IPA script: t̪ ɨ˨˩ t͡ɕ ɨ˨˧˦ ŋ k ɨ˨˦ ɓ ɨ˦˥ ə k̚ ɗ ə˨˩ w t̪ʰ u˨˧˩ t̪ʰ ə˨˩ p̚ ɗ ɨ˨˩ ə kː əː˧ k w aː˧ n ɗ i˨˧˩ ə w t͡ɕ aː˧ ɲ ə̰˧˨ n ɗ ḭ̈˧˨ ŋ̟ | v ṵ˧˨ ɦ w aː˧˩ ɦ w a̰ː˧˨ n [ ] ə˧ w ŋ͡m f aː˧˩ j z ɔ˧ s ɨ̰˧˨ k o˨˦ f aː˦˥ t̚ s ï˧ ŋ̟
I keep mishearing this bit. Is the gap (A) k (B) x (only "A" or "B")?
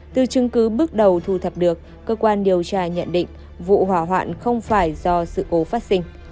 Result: B